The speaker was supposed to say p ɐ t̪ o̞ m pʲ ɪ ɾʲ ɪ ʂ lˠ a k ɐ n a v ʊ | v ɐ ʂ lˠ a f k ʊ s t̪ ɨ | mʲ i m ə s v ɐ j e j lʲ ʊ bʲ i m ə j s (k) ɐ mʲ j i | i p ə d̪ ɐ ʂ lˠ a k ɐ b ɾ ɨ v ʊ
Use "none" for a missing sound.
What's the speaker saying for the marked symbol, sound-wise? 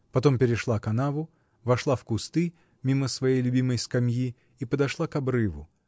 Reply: k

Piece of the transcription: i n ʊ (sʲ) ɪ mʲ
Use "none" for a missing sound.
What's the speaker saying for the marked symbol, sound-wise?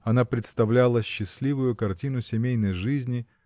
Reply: sʲ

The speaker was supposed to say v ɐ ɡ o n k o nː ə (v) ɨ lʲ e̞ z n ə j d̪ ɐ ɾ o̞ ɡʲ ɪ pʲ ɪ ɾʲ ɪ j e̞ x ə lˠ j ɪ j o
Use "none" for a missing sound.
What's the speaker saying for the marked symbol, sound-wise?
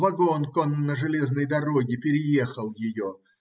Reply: ʐ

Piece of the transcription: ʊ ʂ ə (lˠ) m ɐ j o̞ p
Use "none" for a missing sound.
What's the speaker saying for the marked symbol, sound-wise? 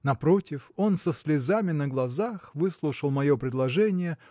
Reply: lˠ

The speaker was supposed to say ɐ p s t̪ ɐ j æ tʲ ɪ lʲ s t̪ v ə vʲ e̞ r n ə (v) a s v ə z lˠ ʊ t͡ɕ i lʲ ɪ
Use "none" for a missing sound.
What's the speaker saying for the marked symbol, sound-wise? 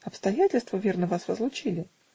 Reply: v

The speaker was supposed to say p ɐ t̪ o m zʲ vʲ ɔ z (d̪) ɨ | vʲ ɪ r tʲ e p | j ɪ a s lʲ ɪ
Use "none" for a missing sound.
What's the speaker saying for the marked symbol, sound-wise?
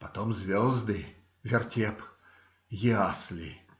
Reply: d̪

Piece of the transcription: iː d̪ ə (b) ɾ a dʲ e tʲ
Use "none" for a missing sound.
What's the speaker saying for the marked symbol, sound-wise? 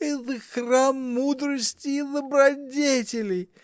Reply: b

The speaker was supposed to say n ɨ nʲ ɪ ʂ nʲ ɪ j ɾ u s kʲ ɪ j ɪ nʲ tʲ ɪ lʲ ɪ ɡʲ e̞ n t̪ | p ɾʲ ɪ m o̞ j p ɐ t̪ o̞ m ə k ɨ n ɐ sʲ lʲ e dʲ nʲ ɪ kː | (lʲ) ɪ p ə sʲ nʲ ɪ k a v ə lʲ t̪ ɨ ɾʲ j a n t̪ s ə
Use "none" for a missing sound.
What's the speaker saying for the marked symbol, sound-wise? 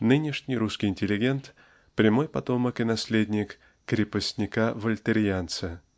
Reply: ɾʲ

